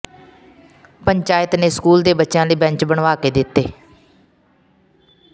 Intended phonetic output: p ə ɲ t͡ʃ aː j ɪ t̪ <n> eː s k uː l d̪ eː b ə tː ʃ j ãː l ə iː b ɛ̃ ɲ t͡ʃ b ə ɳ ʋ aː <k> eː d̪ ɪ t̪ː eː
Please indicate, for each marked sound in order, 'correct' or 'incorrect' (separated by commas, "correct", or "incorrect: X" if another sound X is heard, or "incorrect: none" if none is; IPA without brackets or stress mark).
correct, correct